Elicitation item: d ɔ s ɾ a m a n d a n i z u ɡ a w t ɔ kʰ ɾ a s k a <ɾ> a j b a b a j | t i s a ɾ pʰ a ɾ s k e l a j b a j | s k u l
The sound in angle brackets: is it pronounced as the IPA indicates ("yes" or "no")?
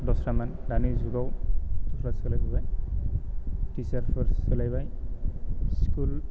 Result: no